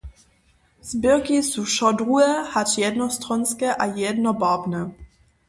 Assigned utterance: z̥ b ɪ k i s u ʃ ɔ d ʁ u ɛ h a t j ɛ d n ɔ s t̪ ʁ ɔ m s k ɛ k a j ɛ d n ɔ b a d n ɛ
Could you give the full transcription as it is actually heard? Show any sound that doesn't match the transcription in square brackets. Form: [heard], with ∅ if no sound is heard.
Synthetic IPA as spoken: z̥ b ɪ k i s u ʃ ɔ d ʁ u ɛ h a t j ɛ d n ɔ s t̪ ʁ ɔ [n] s k ɛ [ʔ] a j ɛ d n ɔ b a [b] n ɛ